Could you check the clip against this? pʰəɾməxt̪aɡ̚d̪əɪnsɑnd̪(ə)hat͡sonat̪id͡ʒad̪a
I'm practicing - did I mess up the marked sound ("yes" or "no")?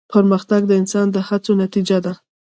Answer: no